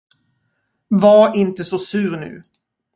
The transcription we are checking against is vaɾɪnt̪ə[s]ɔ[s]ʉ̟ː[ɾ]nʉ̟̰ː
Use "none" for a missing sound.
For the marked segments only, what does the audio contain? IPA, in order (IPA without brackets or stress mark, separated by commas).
s, s, ɾ